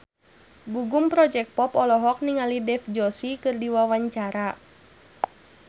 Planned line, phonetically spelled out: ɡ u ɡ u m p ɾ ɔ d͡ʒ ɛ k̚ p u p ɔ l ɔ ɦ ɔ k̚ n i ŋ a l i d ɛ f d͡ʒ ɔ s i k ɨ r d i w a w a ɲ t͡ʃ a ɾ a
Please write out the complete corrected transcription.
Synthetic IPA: ɡ u ɡ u m p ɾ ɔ d͡ʒ ɛ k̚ p ɔ p ɔ l ɔ ɦ ɔ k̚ n i ŋ a l i d ɛ f d͡ʒ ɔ s i k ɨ r d i w a w a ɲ t͡ʃ a ɾ a